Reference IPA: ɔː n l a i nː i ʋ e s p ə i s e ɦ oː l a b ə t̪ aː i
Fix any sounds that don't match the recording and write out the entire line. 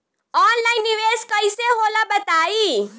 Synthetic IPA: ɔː n l a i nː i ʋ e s k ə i s e ɦ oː l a b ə t̪ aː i